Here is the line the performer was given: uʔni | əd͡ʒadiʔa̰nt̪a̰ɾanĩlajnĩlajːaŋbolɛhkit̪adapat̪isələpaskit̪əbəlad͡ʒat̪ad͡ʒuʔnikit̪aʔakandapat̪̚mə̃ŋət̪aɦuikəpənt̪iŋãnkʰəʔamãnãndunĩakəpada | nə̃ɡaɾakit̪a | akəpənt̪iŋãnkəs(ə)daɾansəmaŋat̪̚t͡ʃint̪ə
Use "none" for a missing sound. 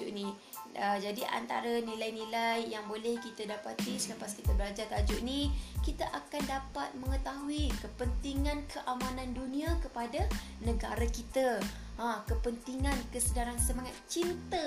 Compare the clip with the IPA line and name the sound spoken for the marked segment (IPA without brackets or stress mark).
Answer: ə